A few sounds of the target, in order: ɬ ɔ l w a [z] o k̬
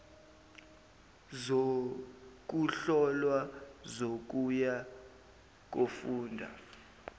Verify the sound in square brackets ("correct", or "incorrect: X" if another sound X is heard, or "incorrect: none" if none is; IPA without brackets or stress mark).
correct